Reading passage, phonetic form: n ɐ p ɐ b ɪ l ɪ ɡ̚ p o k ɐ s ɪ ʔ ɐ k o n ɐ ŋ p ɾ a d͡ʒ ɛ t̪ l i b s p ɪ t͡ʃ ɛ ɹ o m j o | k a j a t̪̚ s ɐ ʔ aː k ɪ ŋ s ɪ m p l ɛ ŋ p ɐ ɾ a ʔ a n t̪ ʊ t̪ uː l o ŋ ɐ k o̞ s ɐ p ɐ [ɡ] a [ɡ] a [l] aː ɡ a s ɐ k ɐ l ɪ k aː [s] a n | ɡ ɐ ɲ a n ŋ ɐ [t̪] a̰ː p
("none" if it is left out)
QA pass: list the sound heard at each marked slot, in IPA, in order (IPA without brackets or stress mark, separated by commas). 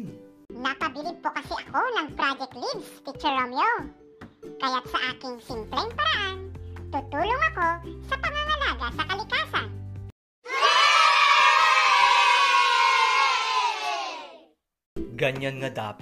ŋ, ŋ, l, s, d̪